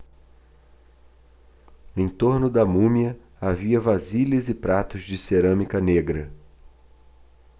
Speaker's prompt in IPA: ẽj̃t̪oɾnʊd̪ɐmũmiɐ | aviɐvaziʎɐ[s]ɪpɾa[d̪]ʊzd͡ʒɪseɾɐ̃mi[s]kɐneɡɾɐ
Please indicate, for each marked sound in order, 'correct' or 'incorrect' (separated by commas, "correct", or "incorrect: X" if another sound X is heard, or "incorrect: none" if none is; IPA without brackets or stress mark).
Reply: incorrect: z, incorrect: t̪, incorrect: none